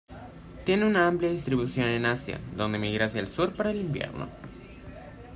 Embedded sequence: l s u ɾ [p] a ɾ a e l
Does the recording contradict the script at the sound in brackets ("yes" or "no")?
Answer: no